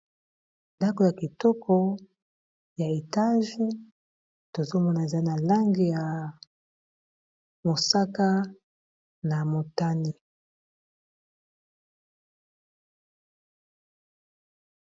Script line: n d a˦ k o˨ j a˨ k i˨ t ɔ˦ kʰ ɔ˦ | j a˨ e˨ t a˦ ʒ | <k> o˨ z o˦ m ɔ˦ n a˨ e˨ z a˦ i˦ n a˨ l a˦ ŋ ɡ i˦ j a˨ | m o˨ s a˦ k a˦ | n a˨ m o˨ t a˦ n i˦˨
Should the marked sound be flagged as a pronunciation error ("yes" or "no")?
yes